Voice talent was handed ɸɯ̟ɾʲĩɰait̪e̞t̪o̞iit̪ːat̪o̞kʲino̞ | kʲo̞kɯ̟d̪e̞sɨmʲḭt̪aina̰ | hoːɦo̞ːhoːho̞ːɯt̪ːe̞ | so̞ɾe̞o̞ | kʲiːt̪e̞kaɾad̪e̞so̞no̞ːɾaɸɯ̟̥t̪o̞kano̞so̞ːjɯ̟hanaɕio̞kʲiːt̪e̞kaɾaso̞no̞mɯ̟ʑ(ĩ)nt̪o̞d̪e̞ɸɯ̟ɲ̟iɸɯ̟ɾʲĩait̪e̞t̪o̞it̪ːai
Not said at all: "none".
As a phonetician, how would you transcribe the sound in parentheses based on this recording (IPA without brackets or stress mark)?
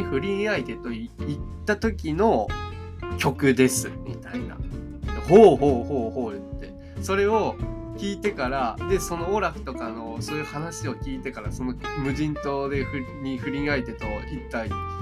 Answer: ĩ